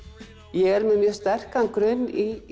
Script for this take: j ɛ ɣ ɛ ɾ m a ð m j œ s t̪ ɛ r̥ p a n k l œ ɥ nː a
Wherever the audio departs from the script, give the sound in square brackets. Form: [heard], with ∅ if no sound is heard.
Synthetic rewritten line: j ɛ ɣ ɛ ɾ m [ɛ] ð m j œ s t̪ ɛ r̥ [k] a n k [ɾ] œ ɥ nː [i]